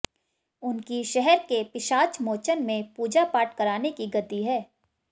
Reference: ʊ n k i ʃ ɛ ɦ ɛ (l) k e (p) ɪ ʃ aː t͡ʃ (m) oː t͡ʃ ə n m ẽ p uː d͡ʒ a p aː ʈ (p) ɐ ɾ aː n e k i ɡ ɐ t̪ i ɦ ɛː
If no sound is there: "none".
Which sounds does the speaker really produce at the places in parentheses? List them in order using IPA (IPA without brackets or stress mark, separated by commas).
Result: ɾ, p, m, k